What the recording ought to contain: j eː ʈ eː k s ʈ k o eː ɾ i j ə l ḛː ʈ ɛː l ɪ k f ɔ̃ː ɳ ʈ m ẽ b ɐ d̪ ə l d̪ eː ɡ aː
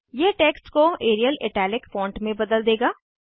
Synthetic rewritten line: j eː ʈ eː k s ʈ k o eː ɾ i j ə l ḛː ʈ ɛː l ɪ k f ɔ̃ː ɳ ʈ m ẽ b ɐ d̪ ə l d̪ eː ɡ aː